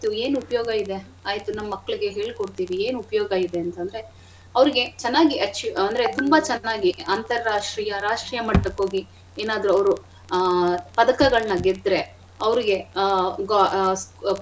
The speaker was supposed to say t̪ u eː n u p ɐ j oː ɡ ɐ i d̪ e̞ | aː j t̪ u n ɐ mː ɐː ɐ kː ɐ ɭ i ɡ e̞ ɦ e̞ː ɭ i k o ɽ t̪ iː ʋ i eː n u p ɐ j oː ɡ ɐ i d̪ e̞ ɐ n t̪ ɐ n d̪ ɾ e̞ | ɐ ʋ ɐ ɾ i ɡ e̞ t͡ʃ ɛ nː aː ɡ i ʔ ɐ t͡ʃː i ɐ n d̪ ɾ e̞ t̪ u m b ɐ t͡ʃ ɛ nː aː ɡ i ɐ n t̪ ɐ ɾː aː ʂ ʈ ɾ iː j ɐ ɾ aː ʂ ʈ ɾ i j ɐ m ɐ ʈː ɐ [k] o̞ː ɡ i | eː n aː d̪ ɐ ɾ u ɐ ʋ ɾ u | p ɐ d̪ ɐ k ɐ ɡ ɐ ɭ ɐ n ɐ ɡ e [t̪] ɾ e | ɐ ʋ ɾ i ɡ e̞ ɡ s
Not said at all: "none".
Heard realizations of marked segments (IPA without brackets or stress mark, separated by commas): k, d̪